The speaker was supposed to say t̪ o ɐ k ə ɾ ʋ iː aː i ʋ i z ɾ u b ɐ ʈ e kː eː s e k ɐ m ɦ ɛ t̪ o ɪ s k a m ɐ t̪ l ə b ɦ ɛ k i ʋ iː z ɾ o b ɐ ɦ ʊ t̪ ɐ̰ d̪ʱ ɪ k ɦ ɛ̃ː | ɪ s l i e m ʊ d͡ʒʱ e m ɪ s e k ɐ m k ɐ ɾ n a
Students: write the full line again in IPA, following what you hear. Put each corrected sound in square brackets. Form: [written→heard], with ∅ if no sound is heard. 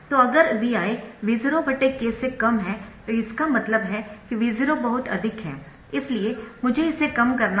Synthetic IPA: t̪ o ɐ [k→ɡ] ə ɾ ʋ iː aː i ʋ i z ɾ [u→o] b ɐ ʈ e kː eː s e k ɐ m ɦ ɛ t̪ o ɪ s k a m ɐ t̪ l ə b ɦ ɛ k i ʋ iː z ɾ o b ɐ ɦ ʊ t̪ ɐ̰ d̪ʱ ɪ k ɦ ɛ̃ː | ɪ s l i e m ʊ d͡ʒʱ e [m→∅] ɪ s e k ɐ m k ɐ ɾ n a